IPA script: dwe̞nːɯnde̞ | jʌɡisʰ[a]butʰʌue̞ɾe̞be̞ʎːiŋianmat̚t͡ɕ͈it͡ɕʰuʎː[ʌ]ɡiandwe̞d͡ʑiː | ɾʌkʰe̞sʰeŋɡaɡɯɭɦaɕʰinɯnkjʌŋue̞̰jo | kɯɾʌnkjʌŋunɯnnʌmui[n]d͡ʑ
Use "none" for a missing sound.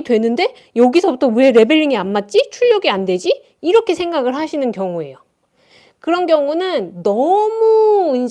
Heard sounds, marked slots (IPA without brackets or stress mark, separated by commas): ʌ, ʌ, n